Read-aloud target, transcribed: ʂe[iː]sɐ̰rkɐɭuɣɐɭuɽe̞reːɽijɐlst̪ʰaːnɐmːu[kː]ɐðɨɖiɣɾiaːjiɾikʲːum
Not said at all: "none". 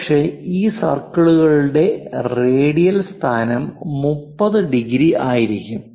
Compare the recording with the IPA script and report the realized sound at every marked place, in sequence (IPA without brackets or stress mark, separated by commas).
iː, pː